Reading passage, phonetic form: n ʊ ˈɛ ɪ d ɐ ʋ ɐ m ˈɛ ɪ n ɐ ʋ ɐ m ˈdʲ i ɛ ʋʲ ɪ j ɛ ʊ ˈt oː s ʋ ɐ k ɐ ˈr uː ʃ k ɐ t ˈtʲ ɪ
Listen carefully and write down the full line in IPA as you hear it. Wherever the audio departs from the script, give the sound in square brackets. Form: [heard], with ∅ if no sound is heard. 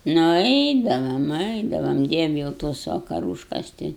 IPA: n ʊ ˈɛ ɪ d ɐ ʋ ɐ m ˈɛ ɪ [d] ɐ ʋ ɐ m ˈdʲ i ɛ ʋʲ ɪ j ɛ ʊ ˈt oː s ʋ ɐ k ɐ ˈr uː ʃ k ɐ [s] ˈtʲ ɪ